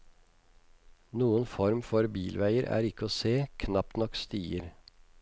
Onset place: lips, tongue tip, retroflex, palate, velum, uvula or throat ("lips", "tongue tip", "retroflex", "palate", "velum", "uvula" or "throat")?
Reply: tongue tip